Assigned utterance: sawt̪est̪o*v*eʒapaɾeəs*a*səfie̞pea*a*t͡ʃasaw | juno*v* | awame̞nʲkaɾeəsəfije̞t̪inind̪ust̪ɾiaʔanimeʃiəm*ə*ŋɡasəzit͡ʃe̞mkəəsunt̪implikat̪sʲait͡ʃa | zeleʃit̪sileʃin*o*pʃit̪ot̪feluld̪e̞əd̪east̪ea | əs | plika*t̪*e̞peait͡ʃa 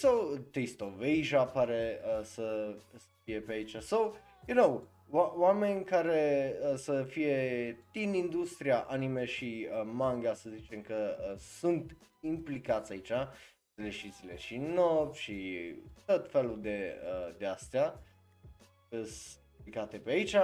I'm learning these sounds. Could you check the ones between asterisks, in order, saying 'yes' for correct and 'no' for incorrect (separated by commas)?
yes, no, no, no, no, yes, yes